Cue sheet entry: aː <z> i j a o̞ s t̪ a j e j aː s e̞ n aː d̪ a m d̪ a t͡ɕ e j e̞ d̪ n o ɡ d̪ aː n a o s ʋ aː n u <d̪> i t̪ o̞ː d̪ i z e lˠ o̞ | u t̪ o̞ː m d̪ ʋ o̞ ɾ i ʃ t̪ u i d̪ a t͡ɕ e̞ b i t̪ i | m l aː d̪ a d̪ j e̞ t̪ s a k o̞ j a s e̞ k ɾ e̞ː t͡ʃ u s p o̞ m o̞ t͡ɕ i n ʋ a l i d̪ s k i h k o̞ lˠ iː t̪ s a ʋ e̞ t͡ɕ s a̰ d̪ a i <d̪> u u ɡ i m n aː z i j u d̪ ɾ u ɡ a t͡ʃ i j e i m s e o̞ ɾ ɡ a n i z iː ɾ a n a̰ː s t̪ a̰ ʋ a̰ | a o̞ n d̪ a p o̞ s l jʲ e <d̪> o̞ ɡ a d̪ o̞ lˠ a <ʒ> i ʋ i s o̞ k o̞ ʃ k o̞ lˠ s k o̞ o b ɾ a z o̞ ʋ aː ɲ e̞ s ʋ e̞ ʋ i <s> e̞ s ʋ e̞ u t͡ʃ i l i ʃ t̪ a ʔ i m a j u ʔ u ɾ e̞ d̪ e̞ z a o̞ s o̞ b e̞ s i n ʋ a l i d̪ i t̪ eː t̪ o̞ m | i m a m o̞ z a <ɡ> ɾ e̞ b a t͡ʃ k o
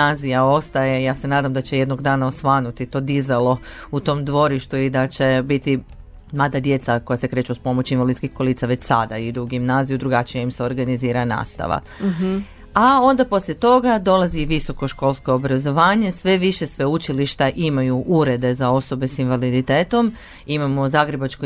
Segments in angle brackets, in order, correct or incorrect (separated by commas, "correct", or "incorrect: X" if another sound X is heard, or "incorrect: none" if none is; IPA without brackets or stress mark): correct, incorrect: t̪, correct, incorrect: t̪, incorrect: z, incorrect: ʃ, correct